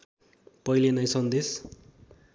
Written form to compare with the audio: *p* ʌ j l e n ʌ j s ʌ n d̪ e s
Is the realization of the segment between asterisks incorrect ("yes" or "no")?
no